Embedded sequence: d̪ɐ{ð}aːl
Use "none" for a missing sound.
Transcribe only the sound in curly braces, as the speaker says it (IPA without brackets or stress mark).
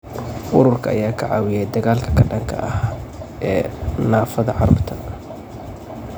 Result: ɣ